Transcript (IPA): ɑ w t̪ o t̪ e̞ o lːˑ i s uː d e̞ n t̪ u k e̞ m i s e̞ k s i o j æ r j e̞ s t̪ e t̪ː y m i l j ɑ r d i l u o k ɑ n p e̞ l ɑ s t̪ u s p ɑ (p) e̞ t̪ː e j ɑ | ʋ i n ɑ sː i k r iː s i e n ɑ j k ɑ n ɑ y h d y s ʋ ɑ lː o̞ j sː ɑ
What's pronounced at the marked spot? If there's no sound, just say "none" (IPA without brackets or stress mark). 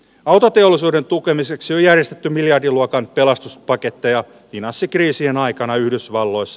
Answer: k